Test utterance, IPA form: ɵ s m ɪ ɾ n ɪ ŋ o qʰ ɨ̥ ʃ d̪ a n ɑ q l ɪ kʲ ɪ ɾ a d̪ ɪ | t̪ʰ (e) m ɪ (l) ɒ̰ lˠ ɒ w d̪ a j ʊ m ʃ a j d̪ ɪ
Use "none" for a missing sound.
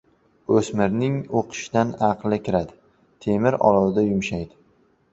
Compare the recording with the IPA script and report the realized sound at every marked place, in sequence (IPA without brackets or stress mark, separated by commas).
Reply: e, ɾ